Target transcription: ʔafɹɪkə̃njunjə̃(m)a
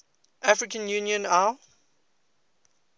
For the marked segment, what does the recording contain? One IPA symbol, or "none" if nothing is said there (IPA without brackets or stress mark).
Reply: n